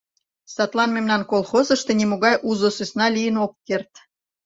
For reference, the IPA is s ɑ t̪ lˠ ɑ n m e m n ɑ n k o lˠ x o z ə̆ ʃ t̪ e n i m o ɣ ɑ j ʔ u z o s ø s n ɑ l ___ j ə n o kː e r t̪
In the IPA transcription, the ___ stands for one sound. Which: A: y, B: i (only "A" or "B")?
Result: B